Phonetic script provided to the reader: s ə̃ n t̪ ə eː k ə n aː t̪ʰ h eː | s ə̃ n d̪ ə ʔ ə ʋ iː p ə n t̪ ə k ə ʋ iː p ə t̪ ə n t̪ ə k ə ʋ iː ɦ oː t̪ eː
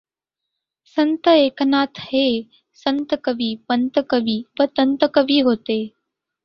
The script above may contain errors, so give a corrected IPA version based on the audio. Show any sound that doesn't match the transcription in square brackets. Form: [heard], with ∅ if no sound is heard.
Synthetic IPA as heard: s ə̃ n t̪ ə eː k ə n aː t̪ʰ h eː | s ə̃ n [t̪] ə [k] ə ʋ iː p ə n t̪ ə k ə ʋ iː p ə t̪ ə n t̪ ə k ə ʋ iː ɦ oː t̪ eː